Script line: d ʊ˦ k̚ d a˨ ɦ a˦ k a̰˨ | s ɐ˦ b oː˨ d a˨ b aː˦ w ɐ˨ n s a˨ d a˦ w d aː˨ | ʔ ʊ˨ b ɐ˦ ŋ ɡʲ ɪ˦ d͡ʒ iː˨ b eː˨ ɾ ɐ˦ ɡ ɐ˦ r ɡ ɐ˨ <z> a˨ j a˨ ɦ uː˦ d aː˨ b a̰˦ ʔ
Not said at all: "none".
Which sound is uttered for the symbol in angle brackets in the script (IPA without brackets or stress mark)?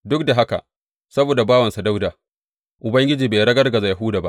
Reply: z